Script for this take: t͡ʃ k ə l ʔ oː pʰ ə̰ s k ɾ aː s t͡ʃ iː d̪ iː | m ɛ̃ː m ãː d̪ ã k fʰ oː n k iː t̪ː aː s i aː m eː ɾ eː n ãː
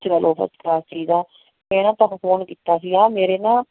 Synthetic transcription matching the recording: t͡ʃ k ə l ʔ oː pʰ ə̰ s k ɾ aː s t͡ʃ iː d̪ aː | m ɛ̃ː n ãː t̪ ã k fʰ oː n k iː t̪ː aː s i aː m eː ɾ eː n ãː

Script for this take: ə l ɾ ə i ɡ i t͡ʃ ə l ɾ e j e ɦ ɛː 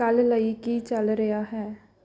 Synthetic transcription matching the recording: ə l l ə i k i t͡ʃ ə l ɾ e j a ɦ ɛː

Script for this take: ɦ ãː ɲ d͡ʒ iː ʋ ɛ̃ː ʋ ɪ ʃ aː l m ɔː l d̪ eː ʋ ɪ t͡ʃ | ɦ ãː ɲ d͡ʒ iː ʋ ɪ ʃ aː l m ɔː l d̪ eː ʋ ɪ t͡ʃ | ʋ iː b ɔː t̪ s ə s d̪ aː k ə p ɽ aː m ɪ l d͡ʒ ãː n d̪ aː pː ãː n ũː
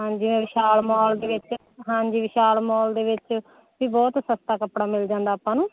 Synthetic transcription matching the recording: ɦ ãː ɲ d͡ʒ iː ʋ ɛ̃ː ʋ ɪ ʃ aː l m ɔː l d̪ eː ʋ ɪ t͡ʃ | ɦ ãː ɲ d͡ʒ iː ʋ ɪ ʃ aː l m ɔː l d̪ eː ʋ ɪ t͡ʃ | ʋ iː b ɔː t̪ s ə s t̪ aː k ə p ɽ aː m ɪ l d͡ʒ ãː n d̪ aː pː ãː n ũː

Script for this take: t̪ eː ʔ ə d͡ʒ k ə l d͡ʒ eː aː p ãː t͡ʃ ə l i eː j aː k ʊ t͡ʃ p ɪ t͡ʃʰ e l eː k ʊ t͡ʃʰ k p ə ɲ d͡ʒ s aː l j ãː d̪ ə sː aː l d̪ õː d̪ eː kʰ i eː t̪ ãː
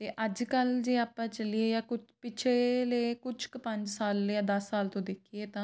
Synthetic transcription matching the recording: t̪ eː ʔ ə d͡ʒ k ə l d͡ʒ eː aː p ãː t͡ʃ ə l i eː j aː k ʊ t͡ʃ p ɪ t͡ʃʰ e l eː k ʊ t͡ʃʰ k p ə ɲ d͡ʒ s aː l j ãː d̪ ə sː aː l t̪ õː d̪ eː kʰ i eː t̪ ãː

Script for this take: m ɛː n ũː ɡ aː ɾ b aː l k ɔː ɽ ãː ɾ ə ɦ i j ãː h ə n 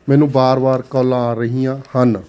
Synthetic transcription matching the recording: m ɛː n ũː b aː ɾ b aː ɾ k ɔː l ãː ɾ ə ɦ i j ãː h ə n

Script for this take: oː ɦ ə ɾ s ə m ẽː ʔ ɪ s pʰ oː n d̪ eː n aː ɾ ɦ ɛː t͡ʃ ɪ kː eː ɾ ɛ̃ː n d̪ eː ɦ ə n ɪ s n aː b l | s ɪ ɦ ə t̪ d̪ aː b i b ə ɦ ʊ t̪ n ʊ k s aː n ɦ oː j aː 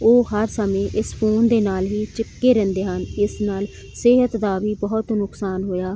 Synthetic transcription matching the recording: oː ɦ ə ɾ s ə m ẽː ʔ ɪ s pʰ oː n d̪ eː n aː l ɦ iː t͡ʃ ɪ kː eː ɾ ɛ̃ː n d̪ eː ɦ ə n ɪ s n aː l | s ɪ ɦ ə t̪ d̪ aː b iː b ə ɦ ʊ t̪ n ʊ k s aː n ɦ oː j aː

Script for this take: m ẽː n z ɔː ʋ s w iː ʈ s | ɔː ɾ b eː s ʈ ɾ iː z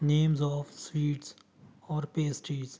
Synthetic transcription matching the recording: n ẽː m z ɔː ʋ s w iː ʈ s | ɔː ɾ p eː s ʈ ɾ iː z

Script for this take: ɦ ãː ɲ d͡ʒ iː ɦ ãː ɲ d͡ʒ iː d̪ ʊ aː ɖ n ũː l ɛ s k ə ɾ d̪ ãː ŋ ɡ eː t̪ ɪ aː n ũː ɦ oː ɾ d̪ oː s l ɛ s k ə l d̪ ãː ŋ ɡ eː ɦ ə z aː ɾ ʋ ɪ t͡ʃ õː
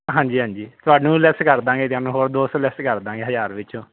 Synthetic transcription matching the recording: ɦ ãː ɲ d͡ʒ iː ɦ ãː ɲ d͡ʒ iː t̪ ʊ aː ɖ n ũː l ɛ s k ə ɾ d̪ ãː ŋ ɡ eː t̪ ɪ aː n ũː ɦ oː ɾ d̪ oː s l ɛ s k ə ɾ d̪ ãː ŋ ɡ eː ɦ ə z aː ɾ ʋ ɪ t͡ʃ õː

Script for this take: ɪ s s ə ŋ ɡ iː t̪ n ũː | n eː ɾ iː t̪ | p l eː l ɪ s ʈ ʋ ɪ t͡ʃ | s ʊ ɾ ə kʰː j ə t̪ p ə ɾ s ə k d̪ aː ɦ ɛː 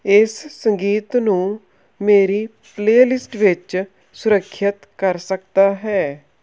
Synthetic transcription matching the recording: ɪ s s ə ŋ ɡ iː t̪ n ũː | m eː ɾ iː | p l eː l ɪ s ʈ ʋ ɪ t͡ʃ | s ʊ ɾ ə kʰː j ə t̪ k ə ɾ s ə k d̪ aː ɦ ɛː

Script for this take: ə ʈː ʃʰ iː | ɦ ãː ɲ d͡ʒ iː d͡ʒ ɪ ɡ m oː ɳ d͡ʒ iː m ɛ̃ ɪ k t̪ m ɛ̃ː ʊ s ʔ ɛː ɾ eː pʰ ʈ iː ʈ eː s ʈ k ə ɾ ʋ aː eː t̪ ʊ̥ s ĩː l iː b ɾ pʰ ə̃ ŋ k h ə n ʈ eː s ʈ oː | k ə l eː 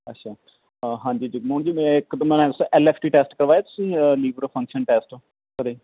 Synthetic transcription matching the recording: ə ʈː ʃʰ aː | ɦ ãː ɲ d͡ʒ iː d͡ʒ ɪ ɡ m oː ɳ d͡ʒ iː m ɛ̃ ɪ k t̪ m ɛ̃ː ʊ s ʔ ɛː l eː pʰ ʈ iː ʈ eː s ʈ k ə ɾ ʋ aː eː t̪ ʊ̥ s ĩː l iː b ɾ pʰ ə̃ ŋ k ʃ ə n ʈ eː s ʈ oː | k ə ɾ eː

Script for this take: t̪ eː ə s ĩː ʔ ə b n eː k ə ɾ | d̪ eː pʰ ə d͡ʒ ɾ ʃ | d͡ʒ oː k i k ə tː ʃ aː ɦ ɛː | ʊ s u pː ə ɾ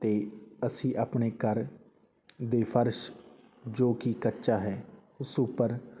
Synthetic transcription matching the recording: t̪ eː ə s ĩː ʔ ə p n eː k ə ɾ | d̪ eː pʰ ə ɾ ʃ | d͡ʒ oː k i k ə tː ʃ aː ɦ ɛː | ʊ s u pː ə ɾ

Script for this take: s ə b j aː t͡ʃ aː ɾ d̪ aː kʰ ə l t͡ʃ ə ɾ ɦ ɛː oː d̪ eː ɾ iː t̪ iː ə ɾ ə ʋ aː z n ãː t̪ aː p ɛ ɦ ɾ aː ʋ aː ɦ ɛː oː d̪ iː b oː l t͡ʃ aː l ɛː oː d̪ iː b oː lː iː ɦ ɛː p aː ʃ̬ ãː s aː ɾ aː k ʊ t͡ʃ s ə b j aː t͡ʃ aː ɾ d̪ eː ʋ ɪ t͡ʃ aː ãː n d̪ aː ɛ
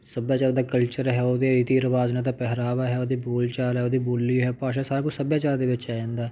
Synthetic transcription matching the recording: s ə b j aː t͡ʃ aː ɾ d̪ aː k ə l t͡ʃ ə ɾ ɦ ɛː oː d̪ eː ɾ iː t̪ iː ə ɾ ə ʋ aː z n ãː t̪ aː p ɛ ɦ ɾ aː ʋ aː ɦ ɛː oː d̪ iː b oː l t͡ʃ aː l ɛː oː d̪ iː b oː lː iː ɦ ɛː p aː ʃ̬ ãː s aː ɾ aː k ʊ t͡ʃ s ə b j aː t͡ʃ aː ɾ d̪ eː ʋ ɪ t͡ʃ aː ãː n d̪ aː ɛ

